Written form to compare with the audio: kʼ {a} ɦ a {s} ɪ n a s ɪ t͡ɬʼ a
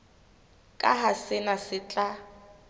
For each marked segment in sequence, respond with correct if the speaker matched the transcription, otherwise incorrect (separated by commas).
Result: correct, correct